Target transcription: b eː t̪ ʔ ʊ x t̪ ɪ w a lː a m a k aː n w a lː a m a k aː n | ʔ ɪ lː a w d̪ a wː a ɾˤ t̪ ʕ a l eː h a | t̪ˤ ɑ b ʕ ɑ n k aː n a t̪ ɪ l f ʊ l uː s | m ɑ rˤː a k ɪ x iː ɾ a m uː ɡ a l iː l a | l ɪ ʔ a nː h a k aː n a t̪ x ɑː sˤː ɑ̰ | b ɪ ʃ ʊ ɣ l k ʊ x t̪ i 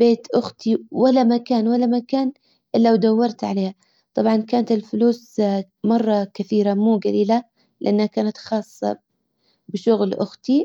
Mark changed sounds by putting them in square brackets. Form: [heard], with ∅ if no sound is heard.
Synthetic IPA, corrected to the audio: b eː t̪ ʔ ʊ x t̪ [i] w a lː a m a k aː n w a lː a m a k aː n | ʔ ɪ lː a w d̪ a wː [ɑ] ɾˤ t̪ ʕ a l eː h a | t̪ˤ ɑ b ʕ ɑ n k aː n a t̪ ɪ l f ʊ l uː s | m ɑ rˤː [ɑ] k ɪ [θ] iː ɾ a m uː ɡ a l iː l a | l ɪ ʔ a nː h a k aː n a t̪ x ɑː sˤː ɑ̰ | b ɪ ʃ ʊ ɣ l [ʔ] ʊ x t̪ i